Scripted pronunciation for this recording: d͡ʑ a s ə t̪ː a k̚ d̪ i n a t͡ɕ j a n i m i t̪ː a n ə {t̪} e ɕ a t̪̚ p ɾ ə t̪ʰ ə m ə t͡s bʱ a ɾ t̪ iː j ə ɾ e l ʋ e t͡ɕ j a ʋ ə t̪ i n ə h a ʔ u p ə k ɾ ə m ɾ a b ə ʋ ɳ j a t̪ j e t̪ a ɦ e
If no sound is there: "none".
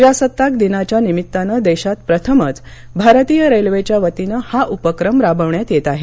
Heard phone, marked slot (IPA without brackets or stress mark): d̪